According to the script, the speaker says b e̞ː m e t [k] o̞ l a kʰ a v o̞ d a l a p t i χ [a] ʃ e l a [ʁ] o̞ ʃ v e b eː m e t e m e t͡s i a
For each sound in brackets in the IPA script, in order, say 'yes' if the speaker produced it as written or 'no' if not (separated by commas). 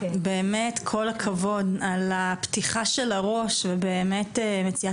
no, yes, yes